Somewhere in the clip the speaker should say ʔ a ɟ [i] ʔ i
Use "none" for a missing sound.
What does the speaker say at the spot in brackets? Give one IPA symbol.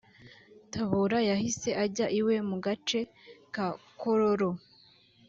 a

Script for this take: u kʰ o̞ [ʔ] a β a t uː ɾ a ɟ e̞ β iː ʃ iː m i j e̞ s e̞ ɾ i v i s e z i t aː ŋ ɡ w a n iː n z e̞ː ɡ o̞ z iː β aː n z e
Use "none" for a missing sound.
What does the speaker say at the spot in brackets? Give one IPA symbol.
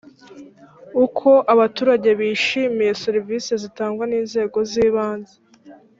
ʔ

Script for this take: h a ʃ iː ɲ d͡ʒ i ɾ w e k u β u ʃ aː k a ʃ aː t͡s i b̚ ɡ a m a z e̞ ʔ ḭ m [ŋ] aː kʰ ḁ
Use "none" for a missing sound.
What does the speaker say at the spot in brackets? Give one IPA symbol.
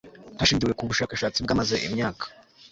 ɲ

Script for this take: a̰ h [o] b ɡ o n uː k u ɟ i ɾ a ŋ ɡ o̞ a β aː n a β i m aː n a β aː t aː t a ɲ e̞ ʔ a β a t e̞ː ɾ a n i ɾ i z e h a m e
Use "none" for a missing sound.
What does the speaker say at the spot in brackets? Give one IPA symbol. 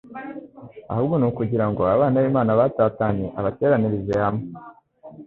u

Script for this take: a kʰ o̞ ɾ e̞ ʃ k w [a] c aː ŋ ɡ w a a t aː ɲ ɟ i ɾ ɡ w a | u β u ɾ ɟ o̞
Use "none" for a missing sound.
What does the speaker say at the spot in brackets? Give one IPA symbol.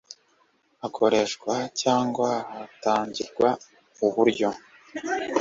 a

